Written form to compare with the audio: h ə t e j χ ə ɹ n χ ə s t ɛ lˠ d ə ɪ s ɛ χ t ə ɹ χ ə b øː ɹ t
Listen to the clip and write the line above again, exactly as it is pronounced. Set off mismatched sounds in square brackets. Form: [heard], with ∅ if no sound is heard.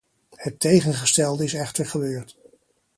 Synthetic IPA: h ə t e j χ ə [∅] n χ ə s t ɛ lˠ d ə ɪ s ɛ χ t ə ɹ χ ə b øː ɹ t